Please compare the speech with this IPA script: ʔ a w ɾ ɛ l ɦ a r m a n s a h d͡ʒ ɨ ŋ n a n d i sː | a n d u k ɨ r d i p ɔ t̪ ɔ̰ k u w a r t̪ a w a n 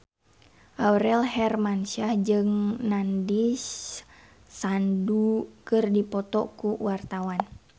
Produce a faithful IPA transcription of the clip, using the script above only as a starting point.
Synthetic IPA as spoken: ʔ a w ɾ ɛ l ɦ ɛ r m a n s a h d͡ʒ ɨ ŋ n a n d i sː | a n d u k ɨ r d i p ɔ t̪ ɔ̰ k u w a r t̪ a w a n